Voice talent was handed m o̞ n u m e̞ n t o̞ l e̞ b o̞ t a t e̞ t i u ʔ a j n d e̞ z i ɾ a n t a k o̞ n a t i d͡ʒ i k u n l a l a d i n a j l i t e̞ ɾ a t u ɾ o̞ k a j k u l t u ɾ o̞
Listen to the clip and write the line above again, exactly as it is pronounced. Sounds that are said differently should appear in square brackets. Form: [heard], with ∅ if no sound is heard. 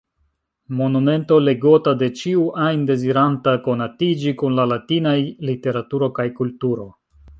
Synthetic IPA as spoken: m o̞ n u m e̞ n t o̞ l e̞ [ɡ] o̞ t a [d] e̞ [t͡ʃ] i u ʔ a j n d e̞ z i ɾ a n t a k o̞ n a t i d͡ʒ i k u n l a l a [t] i n a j l i t e̞ ɾ a t u ɾ o̞ k a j k u l t u ɾ o̞